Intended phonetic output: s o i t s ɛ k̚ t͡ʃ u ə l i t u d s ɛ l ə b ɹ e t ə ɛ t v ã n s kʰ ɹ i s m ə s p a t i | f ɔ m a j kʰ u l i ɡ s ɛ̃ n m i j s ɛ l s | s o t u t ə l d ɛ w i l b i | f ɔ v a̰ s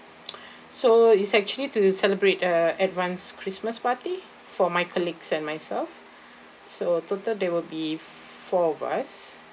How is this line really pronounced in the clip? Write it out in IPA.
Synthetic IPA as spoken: s o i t s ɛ k̚ t͡ʃ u ə l i t u s ɛ l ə b ɹ e t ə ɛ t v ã n s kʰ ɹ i s m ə s p a t i | f ɔ m a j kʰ ɔ l i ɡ s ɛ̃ n m a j s ɛ l f | s o t o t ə l d ɛ w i l b i | f ɔ v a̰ s